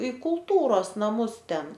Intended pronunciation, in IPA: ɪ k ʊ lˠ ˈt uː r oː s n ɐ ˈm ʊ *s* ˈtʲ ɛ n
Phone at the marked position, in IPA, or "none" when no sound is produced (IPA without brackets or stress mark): s